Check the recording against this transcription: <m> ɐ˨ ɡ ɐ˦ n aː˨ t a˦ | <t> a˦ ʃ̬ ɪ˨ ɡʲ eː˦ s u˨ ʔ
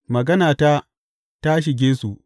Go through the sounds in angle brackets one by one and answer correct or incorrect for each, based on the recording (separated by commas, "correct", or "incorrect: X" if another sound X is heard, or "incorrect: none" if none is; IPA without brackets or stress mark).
correct, correct